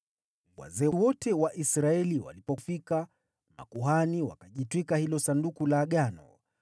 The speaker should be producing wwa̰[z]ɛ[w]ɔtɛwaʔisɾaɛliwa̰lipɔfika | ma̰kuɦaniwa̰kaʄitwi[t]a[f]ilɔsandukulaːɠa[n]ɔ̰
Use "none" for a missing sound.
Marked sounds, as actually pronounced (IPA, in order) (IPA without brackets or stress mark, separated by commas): z, w, k, h, n